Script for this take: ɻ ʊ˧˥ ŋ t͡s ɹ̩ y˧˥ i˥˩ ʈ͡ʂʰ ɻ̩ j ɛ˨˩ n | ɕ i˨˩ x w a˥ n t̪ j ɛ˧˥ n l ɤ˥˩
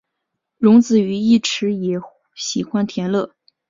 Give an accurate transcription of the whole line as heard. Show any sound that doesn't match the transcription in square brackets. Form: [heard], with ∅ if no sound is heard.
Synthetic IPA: ɻ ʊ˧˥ ŋ t͡s ɹ̩ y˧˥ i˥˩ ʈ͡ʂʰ ɻ̩ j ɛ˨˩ [∅] | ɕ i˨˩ x w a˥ n [t̪ʰ] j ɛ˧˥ n l ɤ˥˩